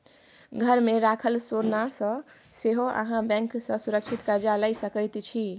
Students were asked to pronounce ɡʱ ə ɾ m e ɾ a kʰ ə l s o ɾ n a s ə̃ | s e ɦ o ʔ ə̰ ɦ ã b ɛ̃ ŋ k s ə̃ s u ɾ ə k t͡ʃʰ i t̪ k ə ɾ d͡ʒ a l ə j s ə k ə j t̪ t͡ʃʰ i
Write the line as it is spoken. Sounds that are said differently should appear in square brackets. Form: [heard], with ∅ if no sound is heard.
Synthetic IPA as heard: ɡʱ ə ɾ m e ɾ a kʰ ə l s o ɾ n a s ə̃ | s e ɦ o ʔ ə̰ ɦ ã b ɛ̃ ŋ k s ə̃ s u ɾ ə k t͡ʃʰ i t̪ k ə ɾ d͡ʒ a l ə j s ə k ə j t̪ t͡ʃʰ i